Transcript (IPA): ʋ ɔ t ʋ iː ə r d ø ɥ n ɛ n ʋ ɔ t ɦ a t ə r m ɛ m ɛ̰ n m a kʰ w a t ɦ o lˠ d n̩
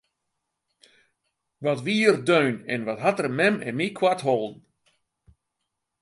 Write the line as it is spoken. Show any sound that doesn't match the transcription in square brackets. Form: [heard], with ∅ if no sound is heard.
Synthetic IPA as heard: ʋ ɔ t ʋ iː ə r d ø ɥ n ɛ n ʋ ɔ t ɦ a t ə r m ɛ m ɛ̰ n m [i] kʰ w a t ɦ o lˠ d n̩